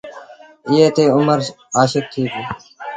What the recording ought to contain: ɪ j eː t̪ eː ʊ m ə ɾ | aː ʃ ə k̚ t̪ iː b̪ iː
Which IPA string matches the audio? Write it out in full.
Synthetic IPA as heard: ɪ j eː t̪ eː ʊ m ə ɾ | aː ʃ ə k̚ t̪ʰ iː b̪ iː

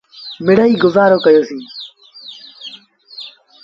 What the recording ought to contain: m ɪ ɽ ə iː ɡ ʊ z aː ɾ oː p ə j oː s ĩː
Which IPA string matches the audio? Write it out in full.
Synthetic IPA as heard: m ɪ ɽ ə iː ɡ ʊ z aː ɾ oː k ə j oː s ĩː

